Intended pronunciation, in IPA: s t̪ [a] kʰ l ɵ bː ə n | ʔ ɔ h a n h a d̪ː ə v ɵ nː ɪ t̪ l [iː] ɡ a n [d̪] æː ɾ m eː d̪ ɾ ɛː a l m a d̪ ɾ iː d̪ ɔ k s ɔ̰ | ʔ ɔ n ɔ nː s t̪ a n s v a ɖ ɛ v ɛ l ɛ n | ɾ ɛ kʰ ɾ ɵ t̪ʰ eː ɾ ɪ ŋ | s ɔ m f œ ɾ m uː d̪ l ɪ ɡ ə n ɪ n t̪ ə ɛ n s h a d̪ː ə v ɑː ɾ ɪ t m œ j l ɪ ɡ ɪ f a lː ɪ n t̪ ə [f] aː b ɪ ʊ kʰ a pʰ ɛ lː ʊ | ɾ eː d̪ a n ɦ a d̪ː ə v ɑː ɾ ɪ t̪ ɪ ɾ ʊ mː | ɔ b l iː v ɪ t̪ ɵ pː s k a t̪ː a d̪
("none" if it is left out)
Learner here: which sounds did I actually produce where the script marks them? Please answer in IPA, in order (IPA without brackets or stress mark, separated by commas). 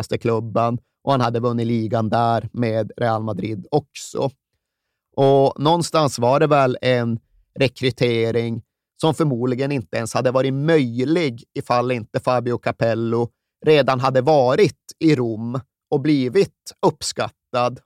ə, iː, d̪, f